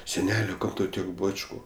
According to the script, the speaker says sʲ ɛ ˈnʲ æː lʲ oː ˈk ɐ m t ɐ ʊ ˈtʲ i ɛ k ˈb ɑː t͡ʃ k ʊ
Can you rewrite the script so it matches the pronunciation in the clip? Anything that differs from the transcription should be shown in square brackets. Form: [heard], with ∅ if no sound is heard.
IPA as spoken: sʲ ɛ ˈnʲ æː lʲ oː ˈk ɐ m t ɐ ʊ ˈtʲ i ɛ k ˈb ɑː t͡ʃ k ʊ

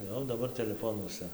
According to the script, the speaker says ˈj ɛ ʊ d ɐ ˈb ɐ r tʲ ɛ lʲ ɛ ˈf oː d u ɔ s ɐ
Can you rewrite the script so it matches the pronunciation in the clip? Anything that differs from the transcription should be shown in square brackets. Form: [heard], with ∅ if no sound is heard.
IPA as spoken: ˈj ɛ ʊ d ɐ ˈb ɐ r tʲ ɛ lʲ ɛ ˈf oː [n] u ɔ s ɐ

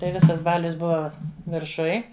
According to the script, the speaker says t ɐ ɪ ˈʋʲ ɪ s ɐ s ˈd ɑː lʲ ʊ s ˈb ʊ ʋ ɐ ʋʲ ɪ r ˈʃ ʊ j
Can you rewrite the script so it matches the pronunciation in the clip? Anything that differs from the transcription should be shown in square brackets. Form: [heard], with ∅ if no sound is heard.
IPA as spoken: t ɐ ɪ ˈʋʲ ɪ s ɐ s [ˈb] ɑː lʲ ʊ s ˈb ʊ ʋ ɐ ʋʲ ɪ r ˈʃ ʊ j

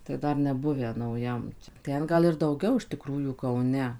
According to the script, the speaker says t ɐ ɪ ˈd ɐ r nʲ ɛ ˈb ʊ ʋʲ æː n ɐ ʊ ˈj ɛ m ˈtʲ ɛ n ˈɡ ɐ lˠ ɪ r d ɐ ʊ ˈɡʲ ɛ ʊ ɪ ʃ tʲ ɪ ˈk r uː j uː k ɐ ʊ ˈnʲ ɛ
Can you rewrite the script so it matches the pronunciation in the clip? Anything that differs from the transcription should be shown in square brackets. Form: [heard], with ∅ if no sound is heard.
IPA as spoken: t ɐ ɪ ˈd ɐ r nʲ ɛ ˈb ʊ ʋʲ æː n ɐ ʊ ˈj ɛ m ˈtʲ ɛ n ˈɡ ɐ lˠ ɪ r d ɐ ʊ ˈɡʲ ɛ ʊ ɪ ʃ tʲ ɪ ˈk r uː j uː k ɐ ʊ ˈnʲ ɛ

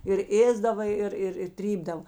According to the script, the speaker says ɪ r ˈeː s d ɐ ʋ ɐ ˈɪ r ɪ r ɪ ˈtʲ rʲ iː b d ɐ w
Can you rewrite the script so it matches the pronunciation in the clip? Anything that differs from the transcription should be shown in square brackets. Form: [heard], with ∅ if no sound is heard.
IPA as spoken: ɪ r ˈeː [z] d ɐ ʋ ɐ ˈɪ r ɪ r ɪ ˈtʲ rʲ iː b d ɐ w

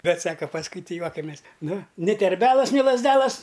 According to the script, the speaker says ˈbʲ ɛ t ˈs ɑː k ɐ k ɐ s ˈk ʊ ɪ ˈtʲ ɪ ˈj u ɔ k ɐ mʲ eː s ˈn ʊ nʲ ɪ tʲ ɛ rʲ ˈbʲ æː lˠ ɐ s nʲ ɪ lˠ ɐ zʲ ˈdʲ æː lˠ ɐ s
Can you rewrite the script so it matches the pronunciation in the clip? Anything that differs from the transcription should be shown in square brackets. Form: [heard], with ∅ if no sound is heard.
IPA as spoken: ˈbʲ ɛ t ˈs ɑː k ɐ [p] ɐ s ˈk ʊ ɪ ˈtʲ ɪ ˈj u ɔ k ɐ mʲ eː s ˈn ʊ nʲ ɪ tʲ ɛ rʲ ˈbʲ æː lˠ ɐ s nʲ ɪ lˠ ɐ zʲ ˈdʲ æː lˠ ɐ s

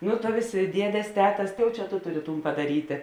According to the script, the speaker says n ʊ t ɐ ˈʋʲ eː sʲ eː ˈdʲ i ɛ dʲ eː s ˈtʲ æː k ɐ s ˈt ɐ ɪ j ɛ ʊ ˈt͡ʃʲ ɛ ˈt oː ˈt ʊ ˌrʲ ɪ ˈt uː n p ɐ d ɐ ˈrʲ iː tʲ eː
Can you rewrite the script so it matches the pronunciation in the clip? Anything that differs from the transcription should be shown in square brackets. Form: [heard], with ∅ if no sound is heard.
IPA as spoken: n ʊ t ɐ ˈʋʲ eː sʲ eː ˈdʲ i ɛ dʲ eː s ˈtʲ æː [t] ɐ s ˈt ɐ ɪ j ɛ ʊ ˈt͡ʃʲ ɛ ˈt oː ˈt ʊ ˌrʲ ɪ ˈt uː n p ɐ d ɐ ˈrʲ iː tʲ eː

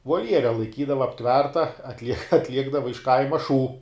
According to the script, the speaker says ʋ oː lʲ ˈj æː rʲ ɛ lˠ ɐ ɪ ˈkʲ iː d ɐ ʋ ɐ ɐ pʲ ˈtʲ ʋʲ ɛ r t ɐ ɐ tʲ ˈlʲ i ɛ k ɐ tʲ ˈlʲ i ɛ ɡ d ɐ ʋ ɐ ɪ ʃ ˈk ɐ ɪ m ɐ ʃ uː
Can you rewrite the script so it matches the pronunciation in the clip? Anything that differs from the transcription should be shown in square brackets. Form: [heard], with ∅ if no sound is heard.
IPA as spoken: ʋ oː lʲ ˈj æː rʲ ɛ lˠ ɐ ɪ ˈkʲ iː d ɐ ʋ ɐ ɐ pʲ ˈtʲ ʋʲ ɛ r t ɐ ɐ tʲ ˈlʲ i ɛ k ɐ tʲ ˈlʲ i ɛ ɡ d ɐ ʋ ɐ ɪ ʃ ˈk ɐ ɪ m ɐ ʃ uː

